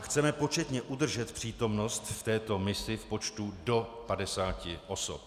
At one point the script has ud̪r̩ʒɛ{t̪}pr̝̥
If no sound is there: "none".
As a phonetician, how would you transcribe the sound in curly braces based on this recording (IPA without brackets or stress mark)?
t̪